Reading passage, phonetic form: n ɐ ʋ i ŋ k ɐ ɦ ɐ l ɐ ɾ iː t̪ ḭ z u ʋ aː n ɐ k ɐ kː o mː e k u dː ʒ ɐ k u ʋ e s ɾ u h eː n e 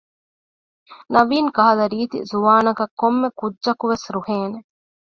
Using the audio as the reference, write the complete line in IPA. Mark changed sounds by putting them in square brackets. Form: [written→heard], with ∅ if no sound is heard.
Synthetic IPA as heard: n ɐ ʋ [i→iː] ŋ k ɐ ɦ ɐ l ɐ ɾ iː t̪ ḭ z u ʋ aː n ɐ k ɐ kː o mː e k u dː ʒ ɐ k u ʋ e s ɾ u h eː n e